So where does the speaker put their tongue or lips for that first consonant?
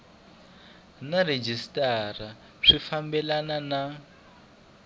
tongue tip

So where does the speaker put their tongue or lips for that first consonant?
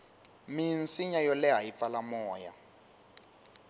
lips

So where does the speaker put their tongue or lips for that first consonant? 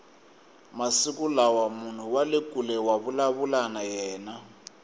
lips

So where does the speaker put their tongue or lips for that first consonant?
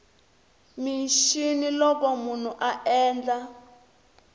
lips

